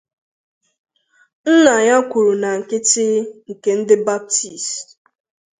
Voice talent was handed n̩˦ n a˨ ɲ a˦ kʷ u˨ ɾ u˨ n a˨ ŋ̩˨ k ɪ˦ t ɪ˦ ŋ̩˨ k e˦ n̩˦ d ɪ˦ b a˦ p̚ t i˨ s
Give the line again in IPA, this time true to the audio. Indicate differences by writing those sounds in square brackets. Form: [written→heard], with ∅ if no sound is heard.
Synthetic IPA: n̩˦ n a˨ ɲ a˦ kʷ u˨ ɾ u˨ n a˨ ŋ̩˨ k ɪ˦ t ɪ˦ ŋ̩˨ k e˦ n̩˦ d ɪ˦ b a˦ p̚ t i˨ s